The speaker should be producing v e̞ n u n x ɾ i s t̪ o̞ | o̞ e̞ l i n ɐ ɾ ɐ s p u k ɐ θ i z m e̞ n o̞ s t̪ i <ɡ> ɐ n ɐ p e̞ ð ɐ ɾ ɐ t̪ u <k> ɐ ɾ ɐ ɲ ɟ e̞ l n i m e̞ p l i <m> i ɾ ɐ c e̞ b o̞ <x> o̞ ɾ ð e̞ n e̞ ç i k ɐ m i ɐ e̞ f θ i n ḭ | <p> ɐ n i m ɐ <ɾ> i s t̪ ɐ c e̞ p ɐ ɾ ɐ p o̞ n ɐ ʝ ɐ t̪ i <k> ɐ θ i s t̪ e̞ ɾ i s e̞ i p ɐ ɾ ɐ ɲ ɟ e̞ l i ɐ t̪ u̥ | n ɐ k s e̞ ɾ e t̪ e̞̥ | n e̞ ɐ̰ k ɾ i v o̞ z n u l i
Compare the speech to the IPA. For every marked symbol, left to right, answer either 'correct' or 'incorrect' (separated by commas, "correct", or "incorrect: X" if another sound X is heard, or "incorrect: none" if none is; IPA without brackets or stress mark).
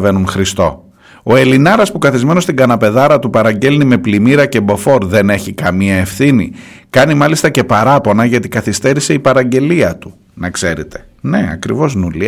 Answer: correct, incorrect: p, correct, incorrect: f, incorrect: k, incorrect: l, correct